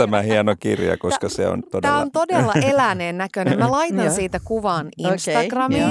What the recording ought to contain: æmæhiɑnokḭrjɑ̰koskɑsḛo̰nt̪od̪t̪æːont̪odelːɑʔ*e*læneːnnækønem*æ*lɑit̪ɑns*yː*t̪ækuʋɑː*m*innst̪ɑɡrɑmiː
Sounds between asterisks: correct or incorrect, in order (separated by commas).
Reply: correct, correct, incorrect, incorrect